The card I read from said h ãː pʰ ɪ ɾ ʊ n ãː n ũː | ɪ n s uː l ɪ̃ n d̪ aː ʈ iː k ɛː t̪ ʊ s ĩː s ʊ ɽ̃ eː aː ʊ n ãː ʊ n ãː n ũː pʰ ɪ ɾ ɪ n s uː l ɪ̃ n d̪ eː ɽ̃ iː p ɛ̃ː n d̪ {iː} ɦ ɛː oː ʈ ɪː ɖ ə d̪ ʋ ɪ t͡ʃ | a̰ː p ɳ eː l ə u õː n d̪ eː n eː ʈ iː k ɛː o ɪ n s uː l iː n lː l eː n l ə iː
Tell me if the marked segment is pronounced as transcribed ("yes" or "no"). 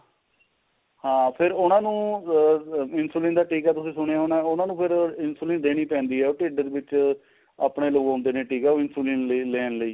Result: yes